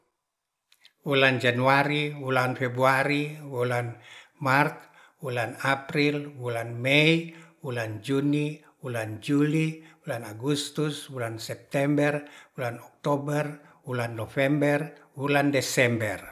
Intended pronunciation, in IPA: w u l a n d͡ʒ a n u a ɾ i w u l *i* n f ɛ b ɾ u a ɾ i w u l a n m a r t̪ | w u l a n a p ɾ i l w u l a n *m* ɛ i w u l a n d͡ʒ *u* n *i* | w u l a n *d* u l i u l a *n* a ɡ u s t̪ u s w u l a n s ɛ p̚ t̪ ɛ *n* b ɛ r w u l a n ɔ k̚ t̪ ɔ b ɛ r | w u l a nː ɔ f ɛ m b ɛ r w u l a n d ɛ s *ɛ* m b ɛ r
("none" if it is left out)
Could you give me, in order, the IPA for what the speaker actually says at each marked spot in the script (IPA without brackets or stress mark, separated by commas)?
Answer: a, m, u, i, d͡ʒ, n, m, ɛ